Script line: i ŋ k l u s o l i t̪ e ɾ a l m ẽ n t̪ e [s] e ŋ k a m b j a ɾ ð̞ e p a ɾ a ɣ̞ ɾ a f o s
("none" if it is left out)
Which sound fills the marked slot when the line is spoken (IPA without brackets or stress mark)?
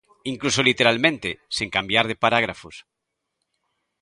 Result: s